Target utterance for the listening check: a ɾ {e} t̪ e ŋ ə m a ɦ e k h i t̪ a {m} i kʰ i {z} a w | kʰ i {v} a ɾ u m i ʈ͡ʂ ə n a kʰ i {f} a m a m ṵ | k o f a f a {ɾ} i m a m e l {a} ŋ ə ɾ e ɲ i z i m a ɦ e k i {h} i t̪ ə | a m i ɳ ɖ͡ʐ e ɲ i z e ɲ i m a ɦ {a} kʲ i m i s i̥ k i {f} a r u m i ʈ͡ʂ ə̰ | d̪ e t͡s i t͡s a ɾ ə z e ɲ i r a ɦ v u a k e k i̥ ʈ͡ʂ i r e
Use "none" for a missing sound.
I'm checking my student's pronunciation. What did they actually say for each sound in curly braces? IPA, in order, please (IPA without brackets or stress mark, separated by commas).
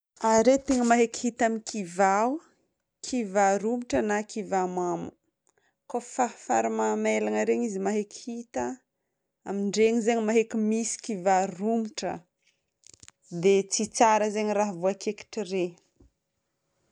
e, m, v, v, v, ɾ, a, h, e, v